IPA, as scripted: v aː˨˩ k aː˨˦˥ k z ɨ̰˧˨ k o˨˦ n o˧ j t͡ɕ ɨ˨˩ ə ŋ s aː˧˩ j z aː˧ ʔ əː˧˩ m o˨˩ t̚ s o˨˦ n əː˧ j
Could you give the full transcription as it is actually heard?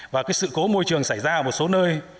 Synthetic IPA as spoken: v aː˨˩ k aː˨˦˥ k s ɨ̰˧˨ k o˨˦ m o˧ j t͡ɕ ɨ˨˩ ə ŋ s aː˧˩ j z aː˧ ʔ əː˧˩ m o˨˩ t̚ s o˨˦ n əː˧ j